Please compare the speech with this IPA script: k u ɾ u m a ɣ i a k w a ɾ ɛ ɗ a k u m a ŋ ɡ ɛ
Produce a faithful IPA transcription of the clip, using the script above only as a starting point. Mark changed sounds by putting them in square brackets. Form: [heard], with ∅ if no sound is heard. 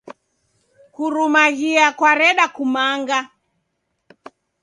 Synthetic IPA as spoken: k u ɾ u m a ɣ i a k w a ɾ ɛ ɗ a k u m a ŋ ɡ [a]

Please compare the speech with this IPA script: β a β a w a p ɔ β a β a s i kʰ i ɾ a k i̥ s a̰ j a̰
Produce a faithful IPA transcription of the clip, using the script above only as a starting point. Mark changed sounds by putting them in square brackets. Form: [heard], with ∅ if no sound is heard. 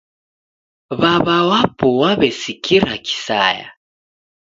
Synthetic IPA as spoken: β a β a w a p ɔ [w] a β [ɛ] s i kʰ i ɾ a k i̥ s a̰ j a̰

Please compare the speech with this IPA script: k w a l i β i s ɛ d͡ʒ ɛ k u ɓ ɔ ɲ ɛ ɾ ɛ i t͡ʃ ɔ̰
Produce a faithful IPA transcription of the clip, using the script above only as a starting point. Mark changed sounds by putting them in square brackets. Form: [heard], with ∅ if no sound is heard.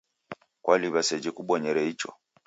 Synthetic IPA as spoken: k w a l i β [a] s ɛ d͡ʒ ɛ k u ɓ ɔ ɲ ɛ ɾ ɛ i t͡ʃ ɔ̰

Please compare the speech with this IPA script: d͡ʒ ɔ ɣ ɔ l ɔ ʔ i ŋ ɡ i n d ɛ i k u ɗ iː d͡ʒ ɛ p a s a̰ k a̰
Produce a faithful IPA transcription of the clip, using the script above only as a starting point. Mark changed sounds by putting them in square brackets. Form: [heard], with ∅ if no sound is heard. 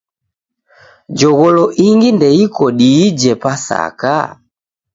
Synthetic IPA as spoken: d͡ʒ ɔ ɣ ɔ l ɔ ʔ i ŋ ɡ i n d ɛ i k [ɔ] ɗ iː d͡ʒ ɛ p a s a̰ k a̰

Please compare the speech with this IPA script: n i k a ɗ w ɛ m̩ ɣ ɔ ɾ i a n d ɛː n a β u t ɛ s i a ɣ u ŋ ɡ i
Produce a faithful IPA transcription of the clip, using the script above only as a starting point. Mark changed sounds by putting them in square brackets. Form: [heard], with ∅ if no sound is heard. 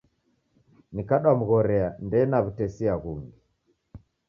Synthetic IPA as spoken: n i k a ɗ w [a] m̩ ɣ ɔ ɾ [ɛ] a n d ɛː n a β u t ɛ s i a ɣ u ŋ ɡ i

